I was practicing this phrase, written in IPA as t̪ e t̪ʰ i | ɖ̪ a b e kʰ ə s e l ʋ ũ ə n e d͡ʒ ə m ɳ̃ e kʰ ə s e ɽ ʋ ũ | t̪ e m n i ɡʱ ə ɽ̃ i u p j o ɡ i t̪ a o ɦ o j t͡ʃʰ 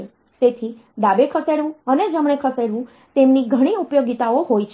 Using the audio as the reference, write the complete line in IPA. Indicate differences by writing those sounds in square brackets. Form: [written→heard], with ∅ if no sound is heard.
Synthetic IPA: t̪ e t̪ʰ i | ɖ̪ a b e kʰ ə s e [l→ɽ] ʋ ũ ə n e d͡ʒ ə m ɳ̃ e kʰ ə s e ɽ ʋ ũ | t̪ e m n i ɡʱ ə ɽ̃ i u p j o ɡ i t̪ a o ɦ o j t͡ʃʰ